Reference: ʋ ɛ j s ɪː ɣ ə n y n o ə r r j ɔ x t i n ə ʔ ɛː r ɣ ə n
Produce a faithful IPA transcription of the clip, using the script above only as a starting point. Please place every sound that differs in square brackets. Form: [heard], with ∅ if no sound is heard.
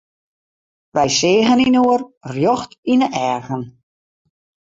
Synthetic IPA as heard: ʋ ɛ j s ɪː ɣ ə n [i] n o ə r r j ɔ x t i n ə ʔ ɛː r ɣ ə n